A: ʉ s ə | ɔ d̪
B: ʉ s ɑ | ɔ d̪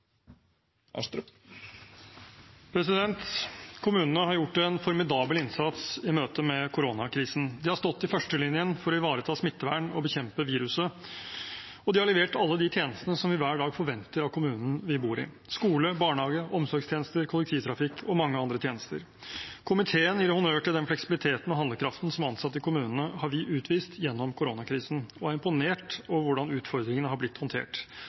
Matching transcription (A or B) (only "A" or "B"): A